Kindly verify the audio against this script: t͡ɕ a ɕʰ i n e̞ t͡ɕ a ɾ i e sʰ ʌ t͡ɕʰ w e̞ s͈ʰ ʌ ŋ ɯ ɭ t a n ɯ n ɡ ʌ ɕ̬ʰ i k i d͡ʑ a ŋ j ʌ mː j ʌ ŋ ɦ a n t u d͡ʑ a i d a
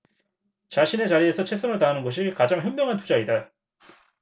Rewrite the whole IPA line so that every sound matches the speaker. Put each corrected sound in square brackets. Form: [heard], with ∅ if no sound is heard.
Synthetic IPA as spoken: t͡ɕ a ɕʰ i n e̞ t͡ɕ a ɾ i e sʰ ʌ t͡ɕʰ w e̞ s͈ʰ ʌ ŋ ɯ ɭ t a n ɯ n ɡ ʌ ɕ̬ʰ i k [a] d͡ʑ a ŋ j ʌ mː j ʌ ŋ ɦ a n t u d͡ʑ a i d a